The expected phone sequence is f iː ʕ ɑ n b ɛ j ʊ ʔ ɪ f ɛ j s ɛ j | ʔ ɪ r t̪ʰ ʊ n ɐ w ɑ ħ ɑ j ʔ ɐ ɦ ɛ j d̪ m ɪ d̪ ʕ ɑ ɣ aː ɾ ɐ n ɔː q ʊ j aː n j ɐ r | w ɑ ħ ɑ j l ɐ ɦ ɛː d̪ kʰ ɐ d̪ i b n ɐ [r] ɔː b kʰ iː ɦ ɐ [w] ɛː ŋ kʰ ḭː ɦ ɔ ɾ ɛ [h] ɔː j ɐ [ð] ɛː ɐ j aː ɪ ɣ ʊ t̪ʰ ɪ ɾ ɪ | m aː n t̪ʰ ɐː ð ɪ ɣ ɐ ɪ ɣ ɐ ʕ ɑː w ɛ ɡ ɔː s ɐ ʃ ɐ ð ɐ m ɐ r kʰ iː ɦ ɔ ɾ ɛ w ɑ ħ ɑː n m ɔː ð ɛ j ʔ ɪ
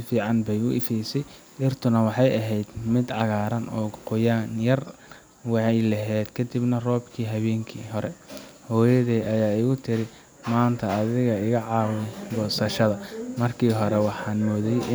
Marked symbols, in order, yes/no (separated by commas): yes, no, yes, yes